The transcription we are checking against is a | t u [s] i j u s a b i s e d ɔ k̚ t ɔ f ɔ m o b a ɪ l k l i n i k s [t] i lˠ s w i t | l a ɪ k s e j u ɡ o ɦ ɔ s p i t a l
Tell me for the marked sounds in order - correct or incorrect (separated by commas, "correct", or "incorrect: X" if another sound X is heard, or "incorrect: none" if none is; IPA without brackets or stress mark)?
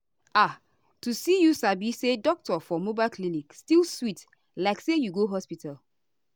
correct, correct